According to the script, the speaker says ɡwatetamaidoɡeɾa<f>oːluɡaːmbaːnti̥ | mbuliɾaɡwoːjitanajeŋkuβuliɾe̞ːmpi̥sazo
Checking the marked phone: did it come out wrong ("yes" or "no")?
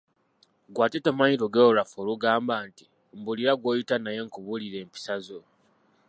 no